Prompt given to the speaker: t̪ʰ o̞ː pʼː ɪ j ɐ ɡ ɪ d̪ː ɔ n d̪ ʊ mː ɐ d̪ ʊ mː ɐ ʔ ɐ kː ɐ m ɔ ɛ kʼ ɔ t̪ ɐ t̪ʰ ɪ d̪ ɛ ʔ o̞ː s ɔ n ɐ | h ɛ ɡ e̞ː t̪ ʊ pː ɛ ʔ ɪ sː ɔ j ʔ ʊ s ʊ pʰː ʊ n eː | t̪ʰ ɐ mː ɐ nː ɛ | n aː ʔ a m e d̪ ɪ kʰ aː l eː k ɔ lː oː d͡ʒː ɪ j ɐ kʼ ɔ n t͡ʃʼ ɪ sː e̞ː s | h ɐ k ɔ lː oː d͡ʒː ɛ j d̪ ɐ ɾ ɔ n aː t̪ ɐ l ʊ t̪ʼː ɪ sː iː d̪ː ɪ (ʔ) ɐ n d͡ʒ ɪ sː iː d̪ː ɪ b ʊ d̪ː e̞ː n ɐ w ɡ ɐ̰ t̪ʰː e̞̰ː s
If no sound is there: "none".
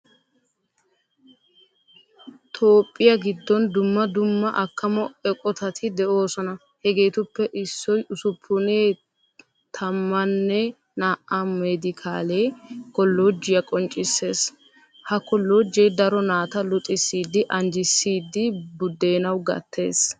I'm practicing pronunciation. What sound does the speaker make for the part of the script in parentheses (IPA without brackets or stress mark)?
ʔ